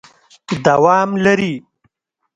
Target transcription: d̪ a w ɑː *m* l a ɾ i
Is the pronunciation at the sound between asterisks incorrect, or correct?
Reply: correct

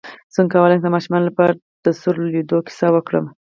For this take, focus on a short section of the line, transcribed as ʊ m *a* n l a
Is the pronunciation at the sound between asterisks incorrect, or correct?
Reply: incorrect: ɑ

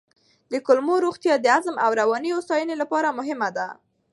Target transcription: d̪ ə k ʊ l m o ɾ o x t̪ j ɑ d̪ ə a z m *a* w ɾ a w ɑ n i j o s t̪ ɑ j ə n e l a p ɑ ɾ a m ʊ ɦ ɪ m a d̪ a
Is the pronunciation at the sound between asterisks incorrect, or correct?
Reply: correct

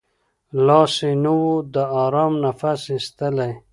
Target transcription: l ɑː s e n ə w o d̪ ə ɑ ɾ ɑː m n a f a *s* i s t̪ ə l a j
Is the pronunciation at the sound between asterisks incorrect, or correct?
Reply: correct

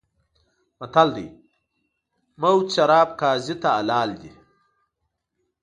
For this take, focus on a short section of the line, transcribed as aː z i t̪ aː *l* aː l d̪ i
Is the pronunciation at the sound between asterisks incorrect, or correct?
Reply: correct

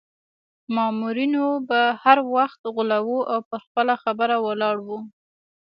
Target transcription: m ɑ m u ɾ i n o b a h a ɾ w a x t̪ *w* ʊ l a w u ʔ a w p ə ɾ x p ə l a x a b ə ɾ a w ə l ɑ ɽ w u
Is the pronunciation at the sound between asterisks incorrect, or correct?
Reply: incorrect: ɣ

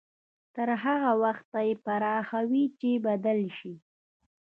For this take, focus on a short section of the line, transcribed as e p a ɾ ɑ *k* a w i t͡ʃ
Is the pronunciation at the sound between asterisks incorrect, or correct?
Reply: incorrect: x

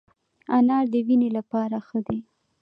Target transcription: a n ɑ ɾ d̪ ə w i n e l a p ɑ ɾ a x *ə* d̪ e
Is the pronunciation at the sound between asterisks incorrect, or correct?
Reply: correct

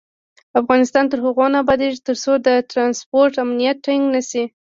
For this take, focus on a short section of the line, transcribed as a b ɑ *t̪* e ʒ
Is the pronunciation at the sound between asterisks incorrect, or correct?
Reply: incorrect: d̪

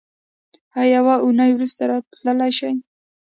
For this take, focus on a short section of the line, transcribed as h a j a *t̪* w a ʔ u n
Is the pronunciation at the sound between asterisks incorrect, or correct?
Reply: incorrect: none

